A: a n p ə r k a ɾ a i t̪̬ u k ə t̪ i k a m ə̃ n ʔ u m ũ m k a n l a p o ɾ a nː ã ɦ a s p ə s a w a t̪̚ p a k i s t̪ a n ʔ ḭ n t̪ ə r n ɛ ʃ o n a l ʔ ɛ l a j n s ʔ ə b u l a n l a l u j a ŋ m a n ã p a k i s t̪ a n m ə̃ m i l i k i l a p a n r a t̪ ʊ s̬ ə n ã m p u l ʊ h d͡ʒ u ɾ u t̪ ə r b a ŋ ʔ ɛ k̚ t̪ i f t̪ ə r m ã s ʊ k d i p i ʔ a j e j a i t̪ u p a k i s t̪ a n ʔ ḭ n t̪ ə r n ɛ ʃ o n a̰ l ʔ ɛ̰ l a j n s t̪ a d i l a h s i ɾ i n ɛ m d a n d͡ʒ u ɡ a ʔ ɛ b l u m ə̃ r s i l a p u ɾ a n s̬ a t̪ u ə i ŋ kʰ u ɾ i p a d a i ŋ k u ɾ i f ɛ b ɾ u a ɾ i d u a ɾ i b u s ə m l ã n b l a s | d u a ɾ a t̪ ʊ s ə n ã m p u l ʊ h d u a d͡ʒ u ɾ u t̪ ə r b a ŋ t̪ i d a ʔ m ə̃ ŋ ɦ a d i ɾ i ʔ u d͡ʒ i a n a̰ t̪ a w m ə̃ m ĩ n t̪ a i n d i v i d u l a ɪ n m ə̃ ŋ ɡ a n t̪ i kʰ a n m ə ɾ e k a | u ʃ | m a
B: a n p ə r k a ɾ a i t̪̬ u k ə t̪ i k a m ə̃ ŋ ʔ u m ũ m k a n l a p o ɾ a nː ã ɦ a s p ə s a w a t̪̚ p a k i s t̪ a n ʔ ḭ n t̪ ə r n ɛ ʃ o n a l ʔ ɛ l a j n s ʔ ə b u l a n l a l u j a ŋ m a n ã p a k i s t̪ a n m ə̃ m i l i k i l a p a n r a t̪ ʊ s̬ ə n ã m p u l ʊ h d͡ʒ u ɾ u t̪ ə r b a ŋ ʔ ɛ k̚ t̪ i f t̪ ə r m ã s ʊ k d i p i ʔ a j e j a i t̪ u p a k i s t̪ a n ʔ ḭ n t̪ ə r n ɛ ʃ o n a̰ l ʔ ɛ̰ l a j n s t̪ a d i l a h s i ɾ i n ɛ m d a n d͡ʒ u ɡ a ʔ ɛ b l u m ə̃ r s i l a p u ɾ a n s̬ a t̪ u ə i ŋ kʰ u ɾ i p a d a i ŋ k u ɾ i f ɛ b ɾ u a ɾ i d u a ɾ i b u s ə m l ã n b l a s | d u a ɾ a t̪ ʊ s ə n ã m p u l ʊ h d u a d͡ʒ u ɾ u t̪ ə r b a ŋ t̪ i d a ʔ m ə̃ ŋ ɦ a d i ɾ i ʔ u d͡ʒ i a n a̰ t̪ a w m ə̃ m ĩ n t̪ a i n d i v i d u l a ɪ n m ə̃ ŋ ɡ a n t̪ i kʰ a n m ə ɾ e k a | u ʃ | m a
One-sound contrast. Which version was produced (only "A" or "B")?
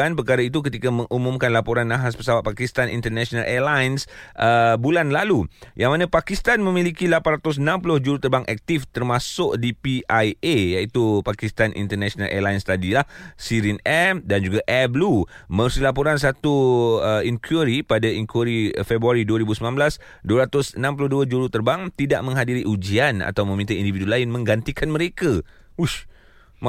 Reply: B